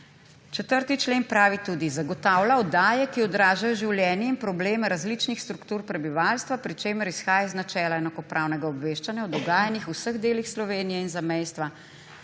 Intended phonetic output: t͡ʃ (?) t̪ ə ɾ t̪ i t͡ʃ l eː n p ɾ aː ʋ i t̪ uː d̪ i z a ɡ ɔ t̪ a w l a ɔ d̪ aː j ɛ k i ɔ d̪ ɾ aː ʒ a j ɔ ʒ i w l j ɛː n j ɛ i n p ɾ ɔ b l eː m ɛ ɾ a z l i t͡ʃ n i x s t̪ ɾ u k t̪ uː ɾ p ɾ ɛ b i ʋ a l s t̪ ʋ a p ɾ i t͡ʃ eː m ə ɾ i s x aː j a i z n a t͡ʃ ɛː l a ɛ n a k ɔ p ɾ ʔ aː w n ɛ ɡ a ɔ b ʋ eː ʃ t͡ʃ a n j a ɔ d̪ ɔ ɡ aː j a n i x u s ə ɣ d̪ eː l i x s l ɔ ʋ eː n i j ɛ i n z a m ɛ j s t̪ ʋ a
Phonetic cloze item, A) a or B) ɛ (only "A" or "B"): B